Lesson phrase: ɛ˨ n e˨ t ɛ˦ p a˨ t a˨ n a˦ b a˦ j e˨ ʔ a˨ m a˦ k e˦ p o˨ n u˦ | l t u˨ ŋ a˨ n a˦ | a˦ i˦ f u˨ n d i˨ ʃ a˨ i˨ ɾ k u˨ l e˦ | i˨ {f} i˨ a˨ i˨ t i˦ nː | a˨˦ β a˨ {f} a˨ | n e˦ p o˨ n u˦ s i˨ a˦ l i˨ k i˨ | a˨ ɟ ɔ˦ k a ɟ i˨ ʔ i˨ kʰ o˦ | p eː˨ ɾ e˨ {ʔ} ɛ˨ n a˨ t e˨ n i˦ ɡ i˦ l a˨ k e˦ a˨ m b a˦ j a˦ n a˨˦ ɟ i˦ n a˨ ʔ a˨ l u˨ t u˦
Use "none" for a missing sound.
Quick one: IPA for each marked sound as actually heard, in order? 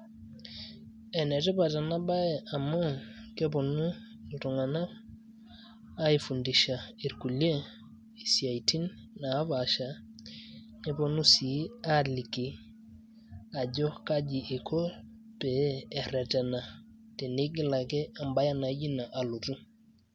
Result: s, ʃ, t

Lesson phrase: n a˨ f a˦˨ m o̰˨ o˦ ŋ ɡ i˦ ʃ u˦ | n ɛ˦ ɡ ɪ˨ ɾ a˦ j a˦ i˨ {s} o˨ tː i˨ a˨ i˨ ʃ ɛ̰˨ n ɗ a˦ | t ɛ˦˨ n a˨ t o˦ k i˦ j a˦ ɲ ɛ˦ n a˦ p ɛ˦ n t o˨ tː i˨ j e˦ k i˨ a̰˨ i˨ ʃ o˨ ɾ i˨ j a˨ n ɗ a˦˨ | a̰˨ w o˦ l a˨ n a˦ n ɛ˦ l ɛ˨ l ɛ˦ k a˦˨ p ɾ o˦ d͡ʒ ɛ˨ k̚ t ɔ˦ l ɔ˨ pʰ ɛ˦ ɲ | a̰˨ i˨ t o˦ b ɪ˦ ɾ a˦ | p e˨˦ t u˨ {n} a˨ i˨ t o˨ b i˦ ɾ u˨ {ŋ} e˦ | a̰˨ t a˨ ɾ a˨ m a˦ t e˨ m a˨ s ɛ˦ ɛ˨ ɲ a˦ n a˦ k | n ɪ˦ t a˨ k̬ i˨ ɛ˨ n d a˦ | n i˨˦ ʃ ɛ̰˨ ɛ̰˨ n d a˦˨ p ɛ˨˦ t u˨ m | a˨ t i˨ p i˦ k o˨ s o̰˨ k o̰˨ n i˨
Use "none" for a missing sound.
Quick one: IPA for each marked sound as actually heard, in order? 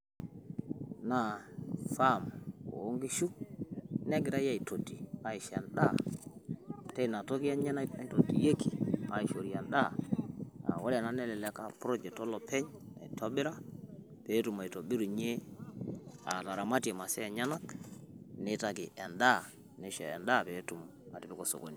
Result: t, m, ɲ

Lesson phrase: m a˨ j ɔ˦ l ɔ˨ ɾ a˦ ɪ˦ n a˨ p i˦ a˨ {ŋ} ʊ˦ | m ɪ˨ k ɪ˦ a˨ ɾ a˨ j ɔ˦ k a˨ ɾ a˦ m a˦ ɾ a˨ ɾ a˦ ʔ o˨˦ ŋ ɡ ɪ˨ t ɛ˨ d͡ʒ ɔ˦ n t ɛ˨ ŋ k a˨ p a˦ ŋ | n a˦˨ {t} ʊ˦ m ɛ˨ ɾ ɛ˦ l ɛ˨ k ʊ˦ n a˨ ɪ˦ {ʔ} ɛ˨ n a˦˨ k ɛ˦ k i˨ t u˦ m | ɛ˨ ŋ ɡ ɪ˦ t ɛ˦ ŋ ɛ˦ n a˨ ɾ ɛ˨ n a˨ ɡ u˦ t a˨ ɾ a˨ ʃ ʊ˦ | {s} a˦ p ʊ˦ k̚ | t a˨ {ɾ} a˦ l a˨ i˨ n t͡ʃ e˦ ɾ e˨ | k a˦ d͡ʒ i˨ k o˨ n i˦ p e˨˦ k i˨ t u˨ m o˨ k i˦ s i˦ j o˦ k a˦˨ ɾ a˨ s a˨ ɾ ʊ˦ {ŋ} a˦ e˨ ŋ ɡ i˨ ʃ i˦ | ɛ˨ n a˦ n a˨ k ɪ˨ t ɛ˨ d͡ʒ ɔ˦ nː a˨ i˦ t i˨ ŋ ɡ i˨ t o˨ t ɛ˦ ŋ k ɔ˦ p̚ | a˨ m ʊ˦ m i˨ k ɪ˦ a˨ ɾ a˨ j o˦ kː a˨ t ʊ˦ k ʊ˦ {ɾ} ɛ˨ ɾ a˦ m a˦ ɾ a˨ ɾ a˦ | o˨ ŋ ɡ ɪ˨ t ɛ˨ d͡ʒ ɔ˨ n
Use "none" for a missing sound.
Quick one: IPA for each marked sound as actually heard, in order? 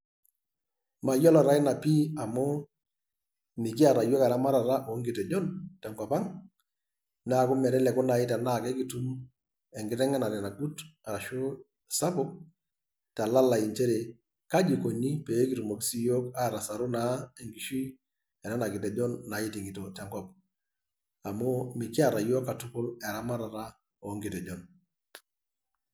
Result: m, k, t, s, l, n, l

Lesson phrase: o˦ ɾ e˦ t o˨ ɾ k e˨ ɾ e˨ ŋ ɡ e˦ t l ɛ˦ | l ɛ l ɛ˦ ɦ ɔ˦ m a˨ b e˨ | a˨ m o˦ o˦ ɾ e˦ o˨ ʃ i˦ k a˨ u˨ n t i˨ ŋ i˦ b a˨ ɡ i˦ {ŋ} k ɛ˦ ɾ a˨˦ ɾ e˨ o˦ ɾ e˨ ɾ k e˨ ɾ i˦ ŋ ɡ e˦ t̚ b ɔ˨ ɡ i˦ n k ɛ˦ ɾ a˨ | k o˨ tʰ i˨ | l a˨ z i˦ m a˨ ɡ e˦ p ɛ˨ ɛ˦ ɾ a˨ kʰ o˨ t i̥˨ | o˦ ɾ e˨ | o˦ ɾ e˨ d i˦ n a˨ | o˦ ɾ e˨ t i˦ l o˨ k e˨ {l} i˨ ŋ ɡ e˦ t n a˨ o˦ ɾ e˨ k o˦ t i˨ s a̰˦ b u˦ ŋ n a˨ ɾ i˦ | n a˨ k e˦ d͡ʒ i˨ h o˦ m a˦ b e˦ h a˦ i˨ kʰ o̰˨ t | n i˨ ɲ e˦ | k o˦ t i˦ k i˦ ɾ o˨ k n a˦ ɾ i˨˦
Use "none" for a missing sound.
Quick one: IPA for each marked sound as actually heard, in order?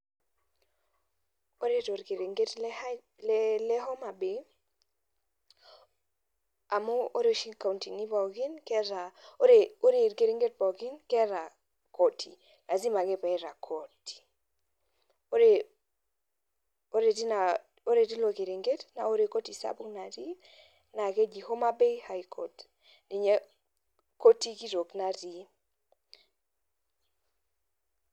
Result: n, ɾ

